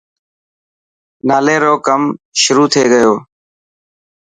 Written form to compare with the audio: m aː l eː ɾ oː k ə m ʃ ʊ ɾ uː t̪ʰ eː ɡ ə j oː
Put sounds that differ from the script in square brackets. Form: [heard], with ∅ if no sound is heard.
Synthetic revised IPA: [n] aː l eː ɾ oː k ə m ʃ ʊ ɾ uː t̪ʰ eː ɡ ə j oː